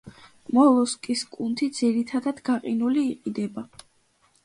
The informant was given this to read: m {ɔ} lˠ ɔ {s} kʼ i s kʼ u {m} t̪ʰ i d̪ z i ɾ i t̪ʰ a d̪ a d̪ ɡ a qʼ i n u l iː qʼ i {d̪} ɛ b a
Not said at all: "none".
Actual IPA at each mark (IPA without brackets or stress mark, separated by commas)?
ɔ, s, n, d̪